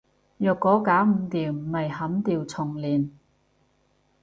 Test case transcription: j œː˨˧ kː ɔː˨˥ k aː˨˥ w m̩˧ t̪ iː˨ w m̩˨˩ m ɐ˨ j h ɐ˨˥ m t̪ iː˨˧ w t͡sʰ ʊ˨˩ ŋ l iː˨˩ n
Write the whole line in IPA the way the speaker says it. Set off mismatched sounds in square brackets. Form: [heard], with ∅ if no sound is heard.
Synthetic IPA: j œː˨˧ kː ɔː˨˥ k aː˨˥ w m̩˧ t̪ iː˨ w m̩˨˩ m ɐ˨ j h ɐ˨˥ m t̪ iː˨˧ w t͡sʰ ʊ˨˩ ŋ l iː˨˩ n